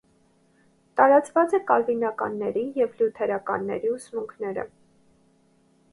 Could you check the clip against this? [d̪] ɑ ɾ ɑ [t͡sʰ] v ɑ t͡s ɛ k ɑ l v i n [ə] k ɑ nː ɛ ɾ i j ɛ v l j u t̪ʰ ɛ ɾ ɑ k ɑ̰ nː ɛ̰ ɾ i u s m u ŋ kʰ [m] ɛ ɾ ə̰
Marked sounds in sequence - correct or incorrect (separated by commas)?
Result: incorrect, incorrect, incorrect, incorrect